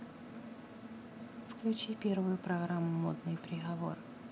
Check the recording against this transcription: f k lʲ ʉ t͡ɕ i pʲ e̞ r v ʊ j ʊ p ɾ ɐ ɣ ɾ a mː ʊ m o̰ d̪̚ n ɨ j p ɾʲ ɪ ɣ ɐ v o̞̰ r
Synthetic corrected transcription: f k lʲ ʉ t͡ɕ i pʲ e̞ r v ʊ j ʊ p ɾ ɐ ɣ ɾ a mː ʊ m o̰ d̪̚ n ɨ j p ɾʲ ɪ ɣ ɐ v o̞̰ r